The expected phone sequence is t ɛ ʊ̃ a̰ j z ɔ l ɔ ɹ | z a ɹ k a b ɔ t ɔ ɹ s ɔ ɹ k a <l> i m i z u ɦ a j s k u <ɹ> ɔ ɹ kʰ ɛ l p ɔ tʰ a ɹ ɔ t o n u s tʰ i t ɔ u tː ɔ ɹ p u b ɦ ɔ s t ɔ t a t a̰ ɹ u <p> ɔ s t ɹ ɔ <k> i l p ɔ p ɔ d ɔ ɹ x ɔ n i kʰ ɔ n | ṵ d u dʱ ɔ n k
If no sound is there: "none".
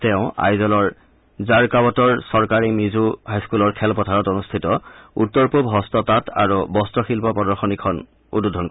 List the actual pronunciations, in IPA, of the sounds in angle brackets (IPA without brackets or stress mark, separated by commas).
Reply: ɹ, l, b, x